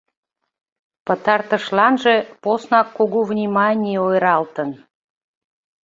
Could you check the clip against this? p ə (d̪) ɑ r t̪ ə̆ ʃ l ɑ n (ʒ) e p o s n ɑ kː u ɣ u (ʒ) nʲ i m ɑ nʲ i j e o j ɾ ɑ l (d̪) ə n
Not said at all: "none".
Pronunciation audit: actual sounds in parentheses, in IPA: t̪, ʒ, v, t̪

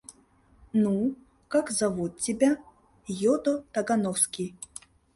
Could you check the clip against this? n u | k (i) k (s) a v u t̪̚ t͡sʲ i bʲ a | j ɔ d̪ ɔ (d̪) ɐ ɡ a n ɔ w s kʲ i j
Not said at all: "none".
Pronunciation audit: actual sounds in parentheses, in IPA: a, z, t̪

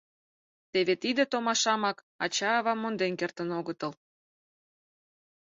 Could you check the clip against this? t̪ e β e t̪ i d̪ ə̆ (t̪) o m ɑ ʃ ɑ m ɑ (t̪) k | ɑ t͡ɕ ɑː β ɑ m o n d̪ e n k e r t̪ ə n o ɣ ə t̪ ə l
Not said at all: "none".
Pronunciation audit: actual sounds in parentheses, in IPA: t̪, none

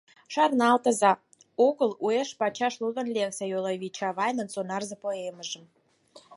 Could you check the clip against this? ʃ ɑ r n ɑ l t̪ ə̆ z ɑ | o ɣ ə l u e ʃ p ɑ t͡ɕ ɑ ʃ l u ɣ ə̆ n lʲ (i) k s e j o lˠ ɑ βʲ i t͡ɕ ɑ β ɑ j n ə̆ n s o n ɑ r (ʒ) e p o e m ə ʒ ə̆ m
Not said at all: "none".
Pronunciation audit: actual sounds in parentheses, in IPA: e, z

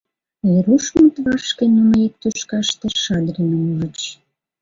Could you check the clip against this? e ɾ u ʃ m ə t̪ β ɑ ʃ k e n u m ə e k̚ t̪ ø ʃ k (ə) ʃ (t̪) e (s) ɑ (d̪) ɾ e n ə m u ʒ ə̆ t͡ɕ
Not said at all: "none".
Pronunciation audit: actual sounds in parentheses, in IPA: ɑ, t̪, ʃ, d̪

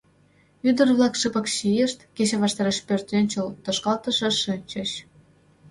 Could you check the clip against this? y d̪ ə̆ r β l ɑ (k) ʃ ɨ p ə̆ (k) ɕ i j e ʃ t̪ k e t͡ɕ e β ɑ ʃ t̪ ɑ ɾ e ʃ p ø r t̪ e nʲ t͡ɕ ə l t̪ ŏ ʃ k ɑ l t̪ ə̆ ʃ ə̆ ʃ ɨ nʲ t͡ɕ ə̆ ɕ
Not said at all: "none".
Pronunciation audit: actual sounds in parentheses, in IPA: k, k

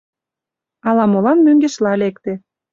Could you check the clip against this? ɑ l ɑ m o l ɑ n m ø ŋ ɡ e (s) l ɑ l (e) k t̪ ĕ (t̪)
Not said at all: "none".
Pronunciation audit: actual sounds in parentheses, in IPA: ʃ, e, none

